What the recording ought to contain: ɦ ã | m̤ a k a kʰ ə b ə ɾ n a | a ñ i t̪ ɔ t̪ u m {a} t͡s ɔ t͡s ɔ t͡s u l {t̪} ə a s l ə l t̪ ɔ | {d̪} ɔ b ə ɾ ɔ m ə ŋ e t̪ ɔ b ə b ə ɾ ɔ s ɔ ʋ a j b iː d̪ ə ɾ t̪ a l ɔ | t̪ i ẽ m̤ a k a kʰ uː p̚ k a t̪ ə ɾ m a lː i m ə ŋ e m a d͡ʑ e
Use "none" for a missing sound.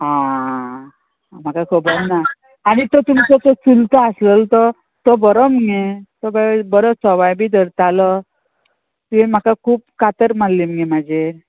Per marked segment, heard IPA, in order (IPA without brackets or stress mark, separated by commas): i, t̪, t̪